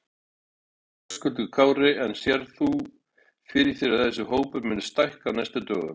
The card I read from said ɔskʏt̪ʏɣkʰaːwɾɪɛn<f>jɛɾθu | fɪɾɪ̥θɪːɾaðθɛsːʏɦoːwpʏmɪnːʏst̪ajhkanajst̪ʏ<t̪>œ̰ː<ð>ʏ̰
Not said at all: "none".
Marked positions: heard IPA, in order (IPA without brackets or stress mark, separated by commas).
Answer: s, t̪, ɣ